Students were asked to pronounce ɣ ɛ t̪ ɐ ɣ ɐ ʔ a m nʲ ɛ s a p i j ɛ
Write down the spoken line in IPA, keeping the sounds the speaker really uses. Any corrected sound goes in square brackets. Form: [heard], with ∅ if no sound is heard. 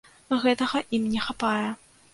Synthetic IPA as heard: ɣ ɛ t̪ ɐ ɣ ɐ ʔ [i] m nʲ ɛ [x] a p [a] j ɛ

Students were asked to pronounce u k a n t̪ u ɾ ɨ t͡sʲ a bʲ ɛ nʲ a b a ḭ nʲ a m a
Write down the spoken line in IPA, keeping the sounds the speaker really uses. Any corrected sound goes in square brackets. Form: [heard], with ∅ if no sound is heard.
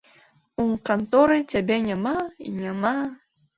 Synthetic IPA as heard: u k a n t̪ [ɔ] ɾ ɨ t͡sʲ a bʲ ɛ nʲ a [m] a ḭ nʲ a m a

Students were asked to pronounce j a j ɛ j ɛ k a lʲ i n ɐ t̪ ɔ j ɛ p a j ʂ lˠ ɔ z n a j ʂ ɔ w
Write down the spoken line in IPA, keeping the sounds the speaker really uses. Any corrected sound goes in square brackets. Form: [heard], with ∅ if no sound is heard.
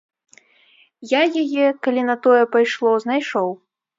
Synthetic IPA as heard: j a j [a] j ɛ k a lʲ i n ɐ t̪ ɔ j ɛ p a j ʂ lˠ ɔ z n a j ʂ ɔ w

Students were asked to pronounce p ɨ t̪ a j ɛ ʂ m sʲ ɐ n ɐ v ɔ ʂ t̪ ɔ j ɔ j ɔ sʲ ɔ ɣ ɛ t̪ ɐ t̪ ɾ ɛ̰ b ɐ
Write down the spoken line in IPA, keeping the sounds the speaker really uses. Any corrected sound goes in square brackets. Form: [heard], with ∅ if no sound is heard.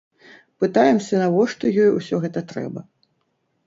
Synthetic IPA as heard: p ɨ t̪ a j ɛ [∅] m sʲ ɐ n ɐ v ɔ ʂ t̪ ɔ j ɔ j [u] sʲ ɔ ɣ ɛ t̪ ɐ t̪ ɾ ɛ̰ b ɐ

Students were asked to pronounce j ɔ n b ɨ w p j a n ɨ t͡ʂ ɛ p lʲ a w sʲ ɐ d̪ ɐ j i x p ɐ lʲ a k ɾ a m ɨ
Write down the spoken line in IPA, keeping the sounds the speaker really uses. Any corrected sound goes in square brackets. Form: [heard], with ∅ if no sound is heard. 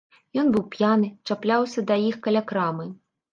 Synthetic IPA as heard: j ɔ n b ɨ w p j a n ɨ t͡ʂ [a] p lʲ a w sʲ ɐ d̪ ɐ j i x [k] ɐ lʲ a k ɾ a m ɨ

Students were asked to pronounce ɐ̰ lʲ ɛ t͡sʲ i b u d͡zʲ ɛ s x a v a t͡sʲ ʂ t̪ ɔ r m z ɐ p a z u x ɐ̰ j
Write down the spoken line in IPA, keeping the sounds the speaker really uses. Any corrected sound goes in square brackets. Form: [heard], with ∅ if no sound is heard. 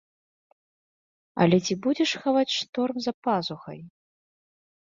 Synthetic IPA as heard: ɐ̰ lʲ ɛ t͡sʲ i b u d͡zʲ ɛ [ʂ] x a v a t͡sʲ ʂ t̪ ɔ r m z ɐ p a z u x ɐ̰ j

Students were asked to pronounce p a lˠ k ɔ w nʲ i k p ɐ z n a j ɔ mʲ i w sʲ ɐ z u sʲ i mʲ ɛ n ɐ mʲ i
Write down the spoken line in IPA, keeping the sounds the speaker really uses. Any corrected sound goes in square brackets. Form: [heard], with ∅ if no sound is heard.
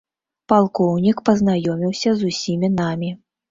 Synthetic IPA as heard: p a lˠ k ɔ w nʲ i k p ɐ z n a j ɔ mʲ i w sʲ ɐ z u sʲ i mʲ [i] n [a] mʲ i

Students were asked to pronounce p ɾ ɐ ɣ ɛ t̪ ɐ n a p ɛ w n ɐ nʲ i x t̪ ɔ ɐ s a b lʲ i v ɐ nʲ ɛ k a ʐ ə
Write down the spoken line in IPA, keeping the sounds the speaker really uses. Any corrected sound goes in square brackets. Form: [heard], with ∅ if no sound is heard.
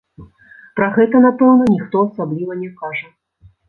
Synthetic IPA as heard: p ɾ ɐ ɣ ɛ t̪ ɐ n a p ɛ w n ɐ nʲ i x t̪ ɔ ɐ s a b lʲ i v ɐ nʲ ɛ k a ʐ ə

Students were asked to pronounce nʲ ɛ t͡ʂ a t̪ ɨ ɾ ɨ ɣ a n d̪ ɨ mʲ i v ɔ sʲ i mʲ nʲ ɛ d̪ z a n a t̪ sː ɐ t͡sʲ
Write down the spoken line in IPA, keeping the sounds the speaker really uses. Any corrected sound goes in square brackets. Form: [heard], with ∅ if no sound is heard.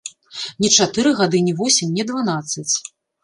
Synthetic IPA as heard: nʲ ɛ t͡ʂ a t̪ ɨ ɾ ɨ ɣ a [∅] d̪ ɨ [nʲ] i v ɔ sʲ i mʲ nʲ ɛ d̪ [v] a n a t̪ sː ɐ t͡sʲ

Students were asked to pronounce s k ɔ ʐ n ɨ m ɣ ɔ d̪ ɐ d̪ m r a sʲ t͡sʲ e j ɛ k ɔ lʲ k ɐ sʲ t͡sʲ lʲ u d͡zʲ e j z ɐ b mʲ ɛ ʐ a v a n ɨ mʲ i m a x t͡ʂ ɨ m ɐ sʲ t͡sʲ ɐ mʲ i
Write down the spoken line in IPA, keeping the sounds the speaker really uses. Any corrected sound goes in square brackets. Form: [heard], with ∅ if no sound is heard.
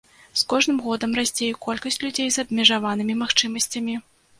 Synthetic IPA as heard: s k ɔ ʐ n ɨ m ɣ ɔ d̪ ɐ [∅] m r a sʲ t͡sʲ e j ɛ k ɔ lʲ k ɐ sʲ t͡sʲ lʲ u d͡zʲ e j z ɐ b mʲ ɛ ʐ a v a n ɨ mʲ i m a x t͡ʂ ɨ m ɐ sʲ t͡sʲ ɐ mʲ i

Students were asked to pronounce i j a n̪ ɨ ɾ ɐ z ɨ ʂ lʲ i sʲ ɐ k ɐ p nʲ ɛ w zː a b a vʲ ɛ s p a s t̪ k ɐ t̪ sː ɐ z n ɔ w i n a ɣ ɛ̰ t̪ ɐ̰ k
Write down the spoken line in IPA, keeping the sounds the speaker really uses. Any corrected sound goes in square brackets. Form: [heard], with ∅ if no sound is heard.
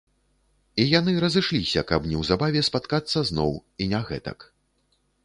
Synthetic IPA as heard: i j a n̪ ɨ ɾ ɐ z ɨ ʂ lʲ i sʲ ɐ k ɐ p nʲ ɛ w [z] a b a vʲ ɛ s p a [∅] t̪ k [a] t̪ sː ɐ z n ɔ w i n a ɣ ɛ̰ t̪ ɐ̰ k

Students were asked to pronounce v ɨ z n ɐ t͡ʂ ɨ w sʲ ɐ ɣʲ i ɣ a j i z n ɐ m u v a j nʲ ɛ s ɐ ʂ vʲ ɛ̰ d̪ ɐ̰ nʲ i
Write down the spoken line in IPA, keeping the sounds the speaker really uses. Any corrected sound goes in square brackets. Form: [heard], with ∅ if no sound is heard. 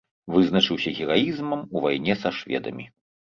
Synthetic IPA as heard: v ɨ z n ɐ t͡ʂ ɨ w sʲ ɐ ɣʲ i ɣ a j i z [m] ɐ m u v a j nʲ ɛ s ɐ ʂ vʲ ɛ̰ d̪ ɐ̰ [mʲ] i

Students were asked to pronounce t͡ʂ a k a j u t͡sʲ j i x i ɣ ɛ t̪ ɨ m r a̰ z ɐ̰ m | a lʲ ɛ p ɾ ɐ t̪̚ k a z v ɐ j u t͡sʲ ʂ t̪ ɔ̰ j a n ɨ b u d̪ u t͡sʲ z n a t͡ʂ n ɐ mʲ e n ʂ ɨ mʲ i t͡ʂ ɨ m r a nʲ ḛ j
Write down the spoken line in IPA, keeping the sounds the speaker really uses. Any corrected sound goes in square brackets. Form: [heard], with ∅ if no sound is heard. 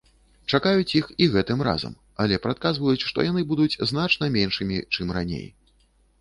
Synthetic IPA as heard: t͡ʂ a k a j u t͡sʲ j i x i ɣ ɛ t̪ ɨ m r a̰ z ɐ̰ m | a lʲ ɛ p ɾ [a] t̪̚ k a z v ɐ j u t͡sʲ ʂ t̪ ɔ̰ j a n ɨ b u d̪ u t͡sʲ z n a t͡ʂ n ɐ mʲ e n ʂ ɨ mʲ i t͡ʂ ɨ m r a nʲ ḛ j

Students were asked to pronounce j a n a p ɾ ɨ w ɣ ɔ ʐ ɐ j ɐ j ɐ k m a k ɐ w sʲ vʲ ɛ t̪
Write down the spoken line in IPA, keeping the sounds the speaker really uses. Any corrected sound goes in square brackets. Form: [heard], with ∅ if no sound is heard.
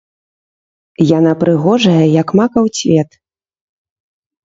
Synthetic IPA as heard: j a n a p ɾ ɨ [∅] ɣ ɔ ʐ ɐ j ɐ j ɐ k m a k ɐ w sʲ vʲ ɛ t̪

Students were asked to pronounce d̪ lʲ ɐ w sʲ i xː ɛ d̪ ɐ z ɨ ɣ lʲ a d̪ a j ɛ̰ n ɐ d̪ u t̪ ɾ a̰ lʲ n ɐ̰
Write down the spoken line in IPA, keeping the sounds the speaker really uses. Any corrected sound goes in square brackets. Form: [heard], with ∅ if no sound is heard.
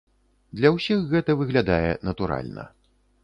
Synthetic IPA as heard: d̪ lʲ ɐ w sʲ i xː ɛ [t̪] ɐ [v] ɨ ɣ lʲ a d̪ a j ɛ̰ n ɐ [t̪] u [∅] ɾ a̰ lʲ n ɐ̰

